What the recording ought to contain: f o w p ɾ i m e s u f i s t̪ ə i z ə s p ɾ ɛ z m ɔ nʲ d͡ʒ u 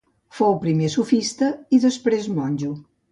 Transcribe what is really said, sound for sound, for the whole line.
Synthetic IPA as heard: f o w p ɾ i m e s u f i s t̪ ə i ð ə s p ɾ e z m ɔ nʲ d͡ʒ u